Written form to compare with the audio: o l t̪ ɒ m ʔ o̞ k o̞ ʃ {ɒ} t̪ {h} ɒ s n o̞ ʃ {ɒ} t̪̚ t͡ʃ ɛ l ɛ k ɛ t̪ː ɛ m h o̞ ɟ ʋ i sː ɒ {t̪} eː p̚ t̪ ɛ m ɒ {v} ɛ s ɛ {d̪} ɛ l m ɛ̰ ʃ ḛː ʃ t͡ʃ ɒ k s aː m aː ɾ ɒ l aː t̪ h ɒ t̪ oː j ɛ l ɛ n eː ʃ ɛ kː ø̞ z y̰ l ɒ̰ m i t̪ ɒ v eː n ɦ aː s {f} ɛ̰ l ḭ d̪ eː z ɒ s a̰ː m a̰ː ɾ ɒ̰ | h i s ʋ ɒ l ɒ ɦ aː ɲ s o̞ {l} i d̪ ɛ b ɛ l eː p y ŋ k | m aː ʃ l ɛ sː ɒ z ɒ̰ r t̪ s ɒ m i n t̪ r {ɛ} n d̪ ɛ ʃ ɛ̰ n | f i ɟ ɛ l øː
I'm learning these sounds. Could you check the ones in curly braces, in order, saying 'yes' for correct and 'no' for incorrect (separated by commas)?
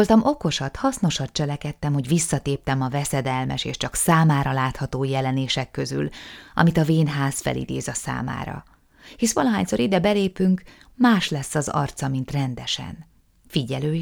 yes, yes, yes, yes, yes, yes, yes, no, yes